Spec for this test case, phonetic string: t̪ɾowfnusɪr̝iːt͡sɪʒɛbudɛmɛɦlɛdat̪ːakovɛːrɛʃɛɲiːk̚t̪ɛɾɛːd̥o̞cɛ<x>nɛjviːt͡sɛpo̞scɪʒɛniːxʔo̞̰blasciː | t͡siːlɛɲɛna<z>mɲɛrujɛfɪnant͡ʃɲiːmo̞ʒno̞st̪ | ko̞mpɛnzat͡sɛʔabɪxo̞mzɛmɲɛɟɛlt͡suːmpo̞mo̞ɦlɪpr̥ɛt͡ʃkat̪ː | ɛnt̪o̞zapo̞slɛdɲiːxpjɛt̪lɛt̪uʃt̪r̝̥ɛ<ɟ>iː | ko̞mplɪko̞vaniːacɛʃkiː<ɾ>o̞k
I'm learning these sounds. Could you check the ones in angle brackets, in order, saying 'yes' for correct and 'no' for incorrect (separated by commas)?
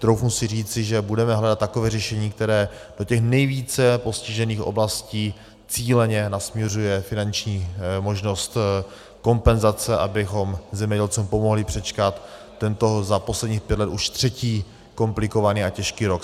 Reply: yes, no, no, yes